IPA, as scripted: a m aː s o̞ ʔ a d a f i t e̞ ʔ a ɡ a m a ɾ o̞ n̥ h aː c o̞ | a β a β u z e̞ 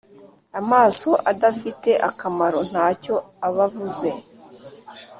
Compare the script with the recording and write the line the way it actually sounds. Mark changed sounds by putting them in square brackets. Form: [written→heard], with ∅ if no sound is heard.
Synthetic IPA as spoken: a m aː s o̞ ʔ a d a f i t e̞ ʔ a [ɡ→k] a m a ɾ o̞ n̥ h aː c o̞ | a β a [β→v] u z e̞